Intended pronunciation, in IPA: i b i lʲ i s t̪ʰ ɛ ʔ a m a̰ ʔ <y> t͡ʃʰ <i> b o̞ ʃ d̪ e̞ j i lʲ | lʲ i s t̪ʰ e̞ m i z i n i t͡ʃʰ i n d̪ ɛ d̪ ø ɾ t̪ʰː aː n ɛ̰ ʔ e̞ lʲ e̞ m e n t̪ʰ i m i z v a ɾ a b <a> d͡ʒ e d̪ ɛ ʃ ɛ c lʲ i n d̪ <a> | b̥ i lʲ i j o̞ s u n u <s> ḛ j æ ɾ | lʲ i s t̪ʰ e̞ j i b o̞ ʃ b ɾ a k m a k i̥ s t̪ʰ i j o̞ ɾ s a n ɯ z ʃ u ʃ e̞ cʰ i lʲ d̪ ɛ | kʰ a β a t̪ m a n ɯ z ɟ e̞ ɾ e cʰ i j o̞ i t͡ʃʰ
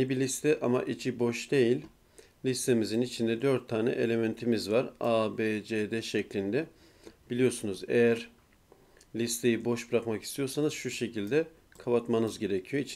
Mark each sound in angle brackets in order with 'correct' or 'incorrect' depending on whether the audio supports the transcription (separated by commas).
incorrect, correct, incorrect, incorrect, incorrect